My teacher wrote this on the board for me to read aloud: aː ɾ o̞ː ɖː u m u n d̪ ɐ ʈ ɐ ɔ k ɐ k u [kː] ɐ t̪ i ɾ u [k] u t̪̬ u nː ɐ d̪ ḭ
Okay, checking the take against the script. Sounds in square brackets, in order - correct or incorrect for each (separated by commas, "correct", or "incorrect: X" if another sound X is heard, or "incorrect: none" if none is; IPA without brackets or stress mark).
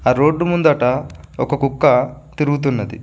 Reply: correct, incorrect: ɡ